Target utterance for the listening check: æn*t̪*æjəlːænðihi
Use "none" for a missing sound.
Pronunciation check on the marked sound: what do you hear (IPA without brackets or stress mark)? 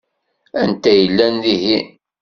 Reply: t̪